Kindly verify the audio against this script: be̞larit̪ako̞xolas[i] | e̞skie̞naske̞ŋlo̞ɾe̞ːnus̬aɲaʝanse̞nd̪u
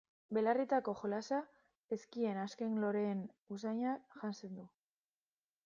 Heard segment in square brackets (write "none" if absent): a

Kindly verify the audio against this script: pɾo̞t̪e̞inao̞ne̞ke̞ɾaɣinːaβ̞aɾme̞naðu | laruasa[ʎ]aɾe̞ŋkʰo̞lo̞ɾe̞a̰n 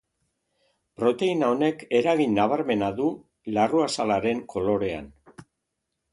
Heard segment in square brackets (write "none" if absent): l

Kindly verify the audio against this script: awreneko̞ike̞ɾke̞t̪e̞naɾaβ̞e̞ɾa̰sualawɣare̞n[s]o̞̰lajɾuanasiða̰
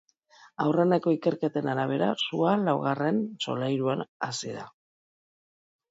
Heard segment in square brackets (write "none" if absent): s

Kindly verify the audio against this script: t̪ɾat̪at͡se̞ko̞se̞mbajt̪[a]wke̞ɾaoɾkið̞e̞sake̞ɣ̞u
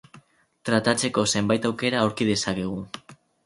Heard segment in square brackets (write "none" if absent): a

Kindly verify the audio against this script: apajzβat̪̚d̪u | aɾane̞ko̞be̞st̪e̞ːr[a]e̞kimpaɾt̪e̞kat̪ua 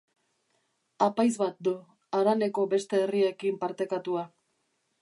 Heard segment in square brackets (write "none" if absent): i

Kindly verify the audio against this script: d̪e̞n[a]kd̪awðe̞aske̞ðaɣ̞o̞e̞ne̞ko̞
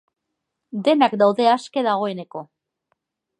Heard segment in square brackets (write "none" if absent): a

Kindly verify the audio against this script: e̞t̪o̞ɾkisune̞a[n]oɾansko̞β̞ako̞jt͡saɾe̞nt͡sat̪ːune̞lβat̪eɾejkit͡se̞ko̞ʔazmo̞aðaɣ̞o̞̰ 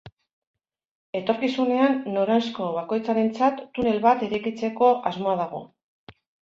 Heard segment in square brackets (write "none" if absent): nː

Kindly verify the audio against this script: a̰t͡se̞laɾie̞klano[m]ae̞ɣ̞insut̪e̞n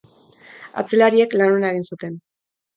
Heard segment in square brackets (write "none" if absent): n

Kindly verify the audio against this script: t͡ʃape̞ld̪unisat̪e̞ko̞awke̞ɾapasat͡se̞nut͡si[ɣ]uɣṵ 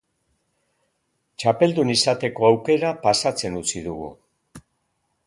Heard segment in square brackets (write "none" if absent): ð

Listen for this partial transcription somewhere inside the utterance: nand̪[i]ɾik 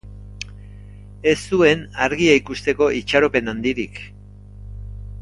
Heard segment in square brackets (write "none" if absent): i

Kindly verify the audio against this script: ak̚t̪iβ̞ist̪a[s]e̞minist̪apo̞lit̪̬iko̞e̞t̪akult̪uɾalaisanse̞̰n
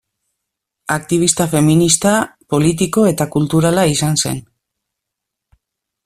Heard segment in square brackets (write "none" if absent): f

